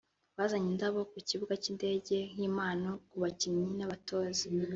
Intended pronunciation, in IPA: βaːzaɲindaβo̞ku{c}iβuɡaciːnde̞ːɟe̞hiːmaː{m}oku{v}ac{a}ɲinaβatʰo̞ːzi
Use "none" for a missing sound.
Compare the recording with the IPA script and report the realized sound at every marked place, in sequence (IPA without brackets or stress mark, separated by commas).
c, n, β, i